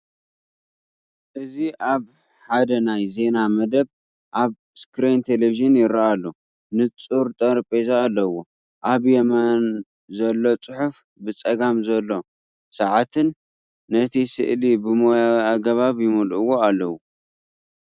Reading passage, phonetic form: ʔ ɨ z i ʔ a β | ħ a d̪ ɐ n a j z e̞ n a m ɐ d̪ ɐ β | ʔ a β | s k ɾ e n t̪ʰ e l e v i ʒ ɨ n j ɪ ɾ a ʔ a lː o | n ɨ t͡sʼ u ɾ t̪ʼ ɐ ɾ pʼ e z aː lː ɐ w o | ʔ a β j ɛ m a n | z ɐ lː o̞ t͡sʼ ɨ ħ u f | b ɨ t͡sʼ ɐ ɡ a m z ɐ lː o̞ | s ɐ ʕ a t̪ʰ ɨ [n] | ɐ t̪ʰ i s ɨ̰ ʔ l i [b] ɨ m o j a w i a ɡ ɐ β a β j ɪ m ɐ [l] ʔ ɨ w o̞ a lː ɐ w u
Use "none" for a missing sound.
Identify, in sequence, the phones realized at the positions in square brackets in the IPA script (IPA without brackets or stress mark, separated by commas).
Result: nː, b, l